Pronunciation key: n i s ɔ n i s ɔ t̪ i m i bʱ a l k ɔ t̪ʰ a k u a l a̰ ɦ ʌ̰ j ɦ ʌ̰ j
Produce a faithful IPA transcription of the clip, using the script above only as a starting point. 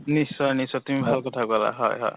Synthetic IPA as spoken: n i s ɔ n i s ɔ t̪ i m i bʱ a l k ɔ t̪ʰ a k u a l a̰ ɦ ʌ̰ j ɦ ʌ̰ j